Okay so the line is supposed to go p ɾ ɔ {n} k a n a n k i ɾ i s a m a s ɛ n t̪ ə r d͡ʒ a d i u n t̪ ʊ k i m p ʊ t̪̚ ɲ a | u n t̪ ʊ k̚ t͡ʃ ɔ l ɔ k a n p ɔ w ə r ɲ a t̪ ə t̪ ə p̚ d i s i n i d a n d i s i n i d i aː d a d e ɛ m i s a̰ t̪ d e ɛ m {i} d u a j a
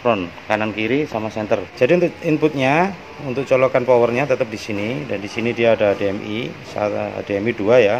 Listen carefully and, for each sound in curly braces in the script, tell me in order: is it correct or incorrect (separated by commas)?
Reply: correct, correct